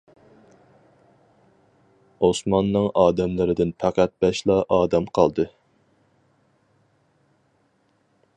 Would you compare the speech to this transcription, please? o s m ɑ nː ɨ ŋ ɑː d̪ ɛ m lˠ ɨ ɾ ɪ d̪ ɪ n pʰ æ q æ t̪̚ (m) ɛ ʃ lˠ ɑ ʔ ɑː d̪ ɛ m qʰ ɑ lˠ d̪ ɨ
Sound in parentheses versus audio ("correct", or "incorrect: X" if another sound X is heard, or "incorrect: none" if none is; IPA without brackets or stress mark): incorrect: b